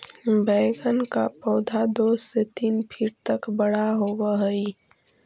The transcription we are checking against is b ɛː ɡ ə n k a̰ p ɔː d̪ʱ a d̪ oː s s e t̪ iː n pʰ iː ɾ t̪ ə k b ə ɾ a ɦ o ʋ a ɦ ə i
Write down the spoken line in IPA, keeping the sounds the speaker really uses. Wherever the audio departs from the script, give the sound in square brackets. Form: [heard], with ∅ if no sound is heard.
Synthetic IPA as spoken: b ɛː ɡ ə n k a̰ p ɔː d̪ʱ a d̪ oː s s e t̪ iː n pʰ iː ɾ t̪ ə k b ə [ɽ] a ɦ o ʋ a ɦ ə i